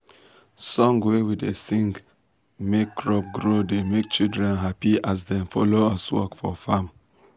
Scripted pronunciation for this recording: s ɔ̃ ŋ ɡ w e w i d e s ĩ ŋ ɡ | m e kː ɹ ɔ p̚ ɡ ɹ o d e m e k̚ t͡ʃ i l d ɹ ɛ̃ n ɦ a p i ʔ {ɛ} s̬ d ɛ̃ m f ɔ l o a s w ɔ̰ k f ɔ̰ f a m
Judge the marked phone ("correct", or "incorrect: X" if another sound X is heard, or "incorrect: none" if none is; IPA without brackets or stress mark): incorrect: a